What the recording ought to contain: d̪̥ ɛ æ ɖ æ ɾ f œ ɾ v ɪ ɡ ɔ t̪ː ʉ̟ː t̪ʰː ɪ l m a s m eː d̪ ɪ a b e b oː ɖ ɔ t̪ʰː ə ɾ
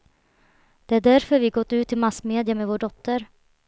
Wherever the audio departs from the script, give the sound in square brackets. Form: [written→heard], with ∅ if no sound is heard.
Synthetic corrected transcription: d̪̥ ɛ æ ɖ æ ɾ f œ ɾ v ɪ ɡ ɔ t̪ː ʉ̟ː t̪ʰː ɪ l m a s m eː d̪ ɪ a [b→m] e [b→v] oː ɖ ɔ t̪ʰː ə ɾ